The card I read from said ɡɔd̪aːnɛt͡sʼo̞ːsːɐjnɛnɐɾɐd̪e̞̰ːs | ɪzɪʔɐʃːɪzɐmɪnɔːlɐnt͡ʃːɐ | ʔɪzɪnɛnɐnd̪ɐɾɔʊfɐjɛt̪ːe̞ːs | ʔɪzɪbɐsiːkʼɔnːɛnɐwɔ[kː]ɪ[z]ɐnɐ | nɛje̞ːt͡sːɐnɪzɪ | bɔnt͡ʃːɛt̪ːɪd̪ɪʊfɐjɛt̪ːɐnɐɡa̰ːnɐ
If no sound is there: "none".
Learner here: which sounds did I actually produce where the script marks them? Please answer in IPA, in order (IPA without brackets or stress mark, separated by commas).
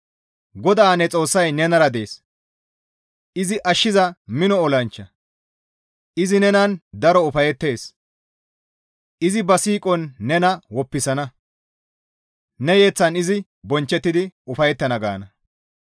pː, s